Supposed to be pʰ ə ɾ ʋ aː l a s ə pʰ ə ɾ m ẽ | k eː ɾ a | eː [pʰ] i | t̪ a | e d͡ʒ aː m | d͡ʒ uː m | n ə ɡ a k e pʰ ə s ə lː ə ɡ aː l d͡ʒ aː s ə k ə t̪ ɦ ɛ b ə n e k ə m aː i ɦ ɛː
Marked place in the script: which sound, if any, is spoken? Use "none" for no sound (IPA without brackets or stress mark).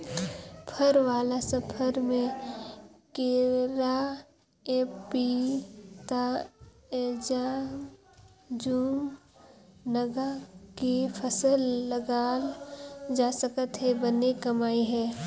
p